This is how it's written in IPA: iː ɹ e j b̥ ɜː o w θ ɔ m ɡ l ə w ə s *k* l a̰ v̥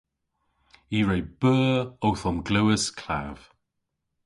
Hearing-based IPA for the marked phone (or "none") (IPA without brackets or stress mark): kʰ